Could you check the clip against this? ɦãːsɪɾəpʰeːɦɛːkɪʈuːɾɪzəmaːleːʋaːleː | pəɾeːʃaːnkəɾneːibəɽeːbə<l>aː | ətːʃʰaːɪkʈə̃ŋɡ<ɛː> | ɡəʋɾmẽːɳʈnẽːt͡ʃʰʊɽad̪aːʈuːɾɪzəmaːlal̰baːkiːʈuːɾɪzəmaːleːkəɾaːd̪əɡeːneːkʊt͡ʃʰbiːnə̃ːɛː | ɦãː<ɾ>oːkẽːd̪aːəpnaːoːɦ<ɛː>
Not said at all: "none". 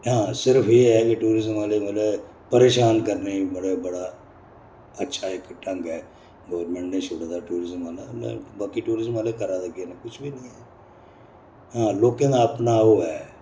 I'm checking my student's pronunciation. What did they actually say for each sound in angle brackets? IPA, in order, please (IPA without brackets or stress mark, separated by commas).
ɽ, ɛː, l, ɛː